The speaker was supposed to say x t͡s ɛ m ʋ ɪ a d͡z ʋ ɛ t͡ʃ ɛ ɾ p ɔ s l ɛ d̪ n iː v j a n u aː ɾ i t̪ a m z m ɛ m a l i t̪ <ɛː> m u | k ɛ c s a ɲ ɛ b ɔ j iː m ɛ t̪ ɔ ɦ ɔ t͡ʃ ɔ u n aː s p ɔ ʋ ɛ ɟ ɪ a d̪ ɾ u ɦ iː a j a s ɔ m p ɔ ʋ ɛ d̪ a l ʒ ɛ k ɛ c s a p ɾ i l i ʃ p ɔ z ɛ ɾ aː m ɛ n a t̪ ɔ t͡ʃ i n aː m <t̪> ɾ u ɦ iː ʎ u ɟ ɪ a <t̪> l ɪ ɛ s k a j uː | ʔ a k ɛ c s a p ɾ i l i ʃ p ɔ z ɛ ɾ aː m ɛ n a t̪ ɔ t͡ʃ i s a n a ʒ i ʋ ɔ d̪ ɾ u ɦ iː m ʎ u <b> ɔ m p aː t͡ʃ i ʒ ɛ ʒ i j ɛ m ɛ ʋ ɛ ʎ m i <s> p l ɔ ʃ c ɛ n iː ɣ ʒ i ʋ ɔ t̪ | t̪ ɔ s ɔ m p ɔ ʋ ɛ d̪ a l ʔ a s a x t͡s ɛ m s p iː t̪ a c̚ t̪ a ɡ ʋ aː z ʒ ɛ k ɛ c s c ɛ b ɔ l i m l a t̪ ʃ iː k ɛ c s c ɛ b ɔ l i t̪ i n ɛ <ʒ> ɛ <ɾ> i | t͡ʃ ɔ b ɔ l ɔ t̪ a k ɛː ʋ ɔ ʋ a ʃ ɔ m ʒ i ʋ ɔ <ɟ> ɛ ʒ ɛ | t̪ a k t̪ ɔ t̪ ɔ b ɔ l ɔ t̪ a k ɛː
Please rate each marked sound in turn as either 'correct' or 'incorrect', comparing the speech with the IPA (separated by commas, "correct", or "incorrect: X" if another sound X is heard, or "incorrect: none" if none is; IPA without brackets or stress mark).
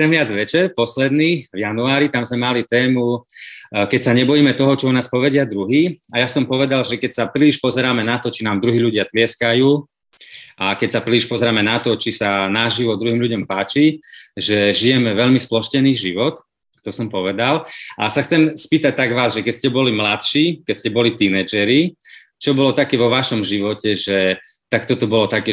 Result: correct, incorrect: d̪, correct, incorrect: ɟ, correct, incorrect: d͡ʒ, correct, incorrect: c